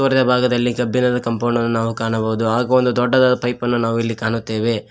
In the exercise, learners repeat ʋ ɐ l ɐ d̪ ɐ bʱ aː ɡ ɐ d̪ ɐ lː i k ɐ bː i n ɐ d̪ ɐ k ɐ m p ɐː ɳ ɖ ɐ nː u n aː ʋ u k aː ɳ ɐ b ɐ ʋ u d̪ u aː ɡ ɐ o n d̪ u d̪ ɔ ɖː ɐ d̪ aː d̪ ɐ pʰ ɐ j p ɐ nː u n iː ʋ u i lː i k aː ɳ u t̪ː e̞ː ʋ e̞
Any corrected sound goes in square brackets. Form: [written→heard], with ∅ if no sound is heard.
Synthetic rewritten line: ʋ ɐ [l→ɾ] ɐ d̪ ɐ bʱ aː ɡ ɐ d̪ ɐ lː i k ɐ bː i n ɐ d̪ ɐ k ɐ m p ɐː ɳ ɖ ɐ nː u n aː ʋ u k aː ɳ ɐ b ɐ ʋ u d̪ u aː ɡ ɐ o n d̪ u d̪ ɔ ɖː ɐ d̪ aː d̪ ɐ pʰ ɐ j p ɐ nː u n [iː→aː] ʋ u i lː i k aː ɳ u t̪ː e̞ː ʋ e̞